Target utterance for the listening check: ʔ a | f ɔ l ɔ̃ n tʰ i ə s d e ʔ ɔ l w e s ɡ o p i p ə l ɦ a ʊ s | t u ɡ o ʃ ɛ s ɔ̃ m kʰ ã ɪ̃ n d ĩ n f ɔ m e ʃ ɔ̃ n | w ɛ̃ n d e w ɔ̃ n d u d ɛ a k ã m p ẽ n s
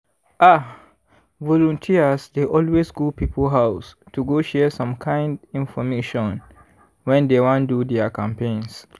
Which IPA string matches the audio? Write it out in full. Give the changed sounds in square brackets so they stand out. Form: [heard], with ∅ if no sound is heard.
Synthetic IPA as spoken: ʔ a | [v] ɔ l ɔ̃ n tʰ i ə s d e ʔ ɔ l w e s ɡ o p i p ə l ɦ a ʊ s | t u ɡ o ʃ ɛ s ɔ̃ m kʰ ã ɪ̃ n d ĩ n f ɔ m e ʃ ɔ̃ n | w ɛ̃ n d e w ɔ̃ n d u d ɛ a k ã m p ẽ n s